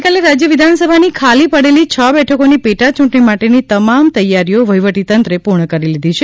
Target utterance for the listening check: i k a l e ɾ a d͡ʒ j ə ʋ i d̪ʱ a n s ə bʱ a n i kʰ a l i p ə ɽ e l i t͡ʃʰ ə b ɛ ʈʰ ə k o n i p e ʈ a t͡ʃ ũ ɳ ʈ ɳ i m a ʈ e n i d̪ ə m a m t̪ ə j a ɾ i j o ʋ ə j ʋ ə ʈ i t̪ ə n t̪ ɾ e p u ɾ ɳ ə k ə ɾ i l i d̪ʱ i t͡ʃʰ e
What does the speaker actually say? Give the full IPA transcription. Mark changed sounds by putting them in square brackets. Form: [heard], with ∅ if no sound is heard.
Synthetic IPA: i k a l e ɾ a d͡ʒ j ə ʋ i d̪ʱ a n s ə bʱ a n i kʰ a l i p ə ɽ e l i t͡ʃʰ ə b ɛ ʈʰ ə k o n i p e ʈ a t͡ʃ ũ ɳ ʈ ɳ i m a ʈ e n i [t̪] ə m a m t̪ ə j a ɾ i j o ʋ ə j ʋ ə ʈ i t̪ ə n t̪ ɾ e p u ɾ ɳ ə k ə ɾ i l i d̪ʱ i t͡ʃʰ e